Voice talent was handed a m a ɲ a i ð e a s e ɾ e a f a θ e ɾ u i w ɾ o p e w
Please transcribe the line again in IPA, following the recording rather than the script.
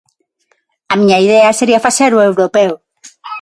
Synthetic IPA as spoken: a m i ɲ a i ð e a s e ɾ i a f a s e ɾ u e w ɾ o p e w